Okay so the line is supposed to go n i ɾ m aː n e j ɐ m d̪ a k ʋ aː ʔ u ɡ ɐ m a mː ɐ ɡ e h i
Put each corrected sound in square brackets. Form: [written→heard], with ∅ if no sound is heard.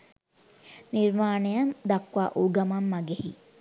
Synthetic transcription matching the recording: n i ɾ m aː n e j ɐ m d̪ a k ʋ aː ʔ u ɡ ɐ m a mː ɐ ɡ e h i